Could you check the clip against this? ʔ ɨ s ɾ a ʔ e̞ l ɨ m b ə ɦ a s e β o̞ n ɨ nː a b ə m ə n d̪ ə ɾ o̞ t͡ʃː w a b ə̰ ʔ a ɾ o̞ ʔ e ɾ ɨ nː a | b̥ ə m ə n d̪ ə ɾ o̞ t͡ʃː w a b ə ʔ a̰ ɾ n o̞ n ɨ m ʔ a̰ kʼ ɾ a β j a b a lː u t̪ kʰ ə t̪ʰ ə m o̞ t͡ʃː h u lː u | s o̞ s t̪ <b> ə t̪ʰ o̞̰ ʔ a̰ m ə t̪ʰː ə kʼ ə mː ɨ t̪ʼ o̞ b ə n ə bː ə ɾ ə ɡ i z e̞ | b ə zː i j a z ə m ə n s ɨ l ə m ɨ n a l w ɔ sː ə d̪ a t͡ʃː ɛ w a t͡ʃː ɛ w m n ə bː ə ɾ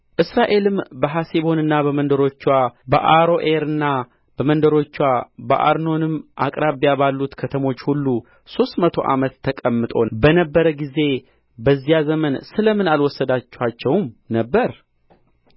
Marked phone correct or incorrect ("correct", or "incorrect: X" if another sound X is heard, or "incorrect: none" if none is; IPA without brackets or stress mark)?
incorrect: m